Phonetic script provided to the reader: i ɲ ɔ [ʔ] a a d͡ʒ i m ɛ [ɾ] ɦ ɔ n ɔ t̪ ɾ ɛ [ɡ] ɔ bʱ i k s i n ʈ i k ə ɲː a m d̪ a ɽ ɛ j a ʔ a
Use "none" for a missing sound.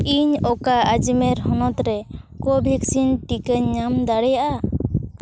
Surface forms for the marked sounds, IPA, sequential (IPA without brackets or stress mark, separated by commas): k, ɾ, k